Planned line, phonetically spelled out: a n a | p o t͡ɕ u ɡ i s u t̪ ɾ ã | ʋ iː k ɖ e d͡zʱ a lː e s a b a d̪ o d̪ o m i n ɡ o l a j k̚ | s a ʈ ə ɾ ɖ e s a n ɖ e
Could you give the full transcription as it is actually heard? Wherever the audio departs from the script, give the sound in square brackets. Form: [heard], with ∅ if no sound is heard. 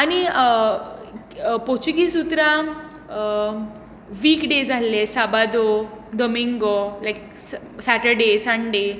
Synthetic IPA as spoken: a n [i] | p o t͡ɕ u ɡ i s u t̪ ɾ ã | ʋ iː k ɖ e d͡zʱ a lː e s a b a d̪ o d̪ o m i [ŋ] ɡ o l a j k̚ | s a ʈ ə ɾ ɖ e s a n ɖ e